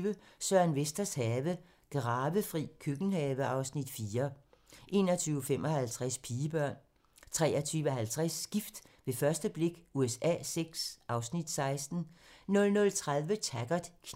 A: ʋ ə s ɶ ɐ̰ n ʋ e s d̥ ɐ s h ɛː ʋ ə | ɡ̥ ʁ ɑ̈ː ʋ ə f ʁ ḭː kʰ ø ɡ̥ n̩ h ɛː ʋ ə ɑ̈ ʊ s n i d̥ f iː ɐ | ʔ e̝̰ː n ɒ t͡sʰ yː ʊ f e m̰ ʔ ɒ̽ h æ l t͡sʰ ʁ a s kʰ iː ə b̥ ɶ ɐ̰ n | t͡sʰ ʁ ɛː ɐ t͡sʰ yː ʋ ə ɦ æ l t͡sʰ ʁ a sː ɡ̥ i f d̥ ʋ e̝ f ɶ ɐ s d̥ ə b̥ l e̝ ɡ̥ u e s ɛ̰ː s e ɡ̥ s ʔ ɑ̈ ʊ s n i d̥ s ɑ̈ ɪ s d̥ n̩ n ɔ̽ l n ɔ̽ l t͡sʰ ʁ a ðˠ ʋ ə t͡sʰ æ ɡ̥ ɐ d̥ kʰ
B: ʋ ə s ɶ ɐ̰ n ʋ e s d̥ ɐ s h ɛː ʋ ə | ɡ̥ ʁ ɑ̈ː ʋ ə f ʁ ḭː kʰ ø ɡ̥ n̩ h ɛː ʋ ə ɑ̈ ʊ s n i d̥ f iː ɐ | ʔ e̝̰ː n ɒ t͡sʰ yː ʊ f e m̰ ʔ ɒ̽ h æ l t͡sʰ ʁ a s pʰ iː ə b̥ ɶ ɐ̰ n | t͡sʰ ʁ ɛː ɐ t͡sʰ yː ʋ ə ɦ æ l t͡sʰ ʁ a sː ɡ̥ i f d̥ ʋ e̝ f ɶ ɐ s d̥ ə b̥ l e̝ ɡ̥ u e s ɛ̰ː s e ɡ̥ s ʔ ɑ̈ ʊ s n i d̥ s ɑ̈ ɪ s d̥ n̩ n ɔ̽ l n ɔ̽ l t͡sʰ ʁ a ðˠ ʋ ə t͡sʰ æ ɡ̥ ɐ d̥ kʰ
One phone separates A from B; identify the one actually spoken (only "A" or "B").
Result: B